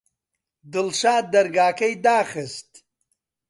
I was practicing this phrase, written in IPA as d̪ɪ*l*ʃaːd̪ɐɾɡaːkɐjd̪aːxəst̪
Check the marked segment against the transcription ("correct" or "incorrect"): correct